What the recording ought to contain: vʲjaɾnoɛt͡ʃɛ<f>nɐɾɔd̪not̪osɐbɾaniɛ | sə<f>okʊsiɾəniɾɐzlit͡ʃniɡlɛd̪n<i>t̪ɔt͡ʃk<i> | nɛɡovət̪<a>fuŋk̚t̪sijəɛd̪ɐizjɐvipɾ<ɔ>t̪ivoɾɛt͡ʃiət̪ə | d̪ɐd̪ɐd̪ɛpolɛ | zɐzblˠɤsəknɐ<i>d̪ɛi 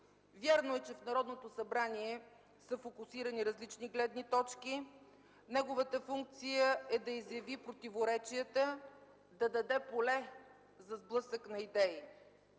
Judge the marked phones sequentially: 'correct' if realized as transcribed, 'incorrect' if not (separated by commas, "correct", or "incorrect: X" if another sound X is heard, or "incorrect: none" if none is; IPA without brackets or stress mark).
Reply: correct, correct, correct, correct, incorrect: ə, incorrect: o, correct